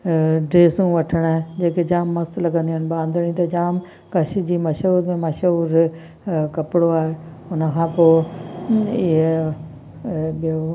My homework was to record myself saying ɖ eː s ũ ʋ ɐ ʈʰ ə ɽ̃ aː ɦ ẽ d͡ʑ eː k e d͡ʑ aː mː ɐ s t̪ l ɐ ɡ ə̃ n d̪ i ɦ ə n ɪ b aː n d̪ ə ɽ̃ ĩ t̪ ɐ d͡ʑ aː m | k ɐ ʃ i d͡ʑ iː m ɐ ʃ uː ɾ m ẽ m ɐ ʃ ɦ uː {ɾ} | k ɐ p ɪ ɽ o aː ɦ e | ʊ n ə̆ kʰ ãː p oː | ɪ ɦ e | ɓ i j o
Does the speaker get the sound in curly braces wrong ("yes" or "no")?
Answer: no